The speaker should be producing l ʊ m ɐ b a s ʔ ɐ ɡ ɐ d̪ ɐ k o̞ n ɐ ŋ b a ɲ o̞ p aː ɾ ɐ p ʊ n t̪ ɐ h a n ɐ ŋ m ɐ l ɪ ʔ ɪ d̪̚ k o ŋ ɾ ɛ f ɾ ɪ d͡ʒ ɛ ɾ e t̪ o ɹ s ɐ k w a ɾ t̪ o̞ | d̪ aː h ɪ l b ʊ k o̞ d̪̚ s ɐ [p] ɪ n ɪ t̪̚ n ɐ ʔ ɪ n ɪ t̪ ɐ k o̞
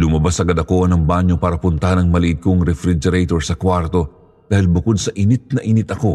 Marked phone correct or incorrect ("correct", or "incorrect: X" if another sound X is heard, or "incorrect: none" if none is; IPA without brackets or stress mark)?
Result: incorrect: ʔ